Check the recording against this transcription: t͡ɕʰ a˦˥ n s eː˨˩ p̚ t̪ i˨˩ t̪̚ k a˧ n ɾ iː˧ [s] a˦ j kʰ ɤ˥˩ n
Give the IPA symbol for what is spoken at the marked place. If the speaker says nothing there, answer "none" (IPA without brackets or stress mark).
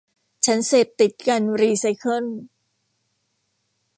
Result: s